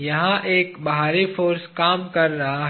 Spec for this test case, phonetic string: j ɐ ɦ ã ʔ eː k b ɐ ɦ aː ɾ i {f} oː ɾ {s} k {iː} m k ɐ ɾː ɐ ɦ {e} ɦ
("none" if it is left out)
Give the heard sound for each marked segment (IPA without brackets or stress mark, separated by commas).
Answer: f, s, aː, a